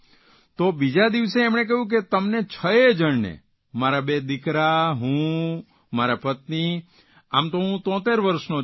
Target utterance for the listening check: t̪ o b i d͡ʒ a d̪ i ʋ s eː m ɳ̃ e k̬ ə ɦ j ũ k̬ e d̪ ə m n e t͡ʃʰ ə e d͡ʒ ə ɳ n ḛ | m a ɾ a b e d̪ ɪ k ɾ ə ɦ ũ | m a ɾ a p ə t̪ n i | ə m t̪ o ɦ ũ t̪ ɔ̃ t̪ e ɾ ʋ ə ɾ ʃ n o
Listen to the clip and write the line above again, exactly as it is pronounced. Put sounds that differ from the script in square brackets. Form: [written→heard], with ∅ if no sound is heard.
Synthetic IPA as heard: t̪ o b i d͡ʒ a d̪ i ʋ s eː m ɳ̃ e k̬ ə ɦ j ũ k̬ e [d̪→t̪] ə m n e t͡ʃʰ ə e d͡ʒ ə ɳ n ḛ | m a ɾ a b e d̪ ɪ k ɾ [ə→a] ɦ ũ | m a ɾ a p ə t̪ n i | [ə→a] m t̪ o ɦ ũ t̪ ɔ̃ t̪ e ɾ ʋ ə ɾ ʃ n o